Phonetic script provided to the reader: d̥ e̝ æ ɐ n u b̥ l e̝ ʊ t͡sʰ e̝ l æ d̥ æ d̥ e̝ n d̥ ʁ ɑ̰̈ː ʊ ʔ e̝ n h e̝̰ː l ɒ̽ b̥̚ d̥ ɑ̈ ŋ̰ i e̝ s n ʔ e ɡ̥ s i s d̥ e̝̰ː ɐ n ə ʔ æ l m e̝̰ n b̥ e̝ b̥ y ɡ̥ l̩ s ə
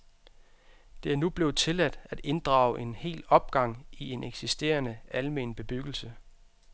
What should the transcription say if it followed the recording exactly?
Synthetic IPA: d̥ e̝ æ ɐ n u b̥ l e̝ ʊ t͡sʰ e̝ l æ d̥ æ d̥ e̝ n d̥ ʁ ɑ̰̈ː ʊ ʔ e̝ n h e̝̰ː l ɒ̽ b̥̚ ɡ̥ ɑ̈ ŋ̰ i e̝ n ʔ e ɡ̥ s i s d̥ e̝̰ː ɐ n ə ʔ æ l m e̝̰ n b̥ e̝ b̥ y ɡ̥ l̩ s ə